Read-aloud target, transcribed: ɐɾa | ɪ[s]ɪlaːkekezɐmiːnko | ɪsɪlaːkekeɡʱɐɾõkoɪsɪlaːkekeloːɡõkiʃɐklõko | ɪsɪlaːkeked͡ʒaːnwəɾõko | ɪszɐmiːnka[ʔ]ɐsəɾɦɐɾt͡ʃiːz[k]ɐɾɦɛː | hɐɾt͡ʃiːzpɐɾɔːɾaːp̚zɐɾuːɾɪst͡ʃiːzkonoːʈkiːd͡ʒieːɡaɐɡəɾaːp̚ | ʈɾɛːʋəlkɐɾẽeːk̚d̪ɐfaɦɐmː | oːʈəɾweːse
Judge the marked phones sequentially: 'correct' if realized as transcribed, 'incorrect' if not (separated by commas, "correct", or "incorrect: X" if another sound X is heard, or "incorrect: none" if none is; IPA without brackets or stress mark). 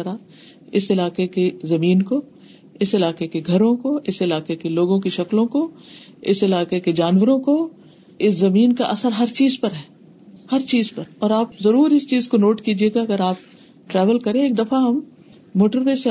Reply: correct, correct, incorrect: p